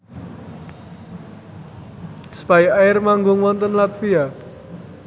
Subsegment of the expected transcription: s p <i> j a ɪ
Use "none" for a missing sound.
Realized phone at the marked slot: a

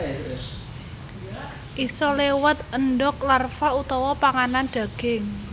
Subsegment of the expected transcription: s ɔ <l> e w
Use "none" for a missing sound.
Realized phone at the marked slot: l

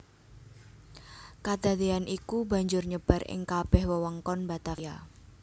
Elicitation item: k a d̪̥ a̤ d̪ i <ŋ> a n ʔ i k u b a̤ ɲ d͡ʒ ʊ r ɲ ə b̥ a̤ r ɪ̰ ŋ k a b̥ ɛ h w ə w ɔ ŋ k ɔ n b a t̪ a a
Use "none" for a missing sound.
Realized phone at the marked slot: none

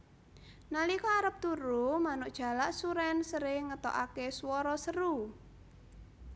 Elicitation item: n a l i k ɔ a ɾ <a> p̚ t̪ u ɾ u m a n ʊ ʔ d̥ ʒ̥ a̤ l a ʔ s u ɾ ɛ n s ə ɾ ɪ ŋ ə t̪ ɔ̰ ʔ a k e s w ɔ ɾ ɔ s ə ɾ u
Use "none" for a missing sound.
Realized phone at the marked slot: ə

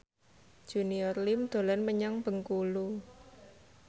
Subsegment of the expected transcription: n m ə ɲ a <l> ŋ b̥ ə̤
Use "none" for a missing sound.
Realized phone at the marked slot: none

